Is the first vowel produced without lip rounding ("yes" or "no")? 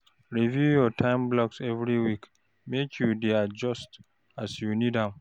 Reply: yes